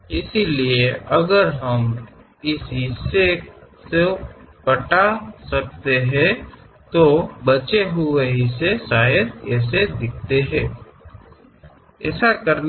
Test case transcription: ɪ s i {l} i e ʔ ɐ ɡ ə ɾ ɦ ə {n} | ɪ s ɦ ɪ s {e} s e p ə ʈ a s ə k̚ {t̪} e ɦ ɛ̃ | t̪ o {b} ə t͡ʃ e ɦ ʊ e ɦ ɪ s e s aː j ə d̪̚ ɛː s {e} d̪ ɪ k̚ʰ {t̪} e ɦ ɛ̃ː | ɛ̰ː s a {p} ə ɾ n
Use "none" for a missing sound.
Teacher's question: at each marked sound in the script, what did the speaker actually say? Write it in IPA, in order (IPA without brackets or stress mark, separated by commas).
l, m, e, t̪, b, e, t̪, k